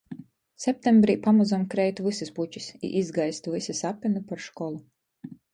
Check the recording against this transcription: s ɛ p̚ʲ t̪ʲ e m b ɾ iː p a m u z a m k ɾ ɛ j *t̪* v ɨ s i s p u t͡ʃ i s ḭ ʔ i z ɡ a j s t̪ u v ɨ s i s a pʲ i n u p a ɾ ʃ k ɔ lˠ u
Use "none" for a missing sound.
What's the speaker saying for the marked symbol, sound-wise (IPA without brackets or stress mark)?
t̪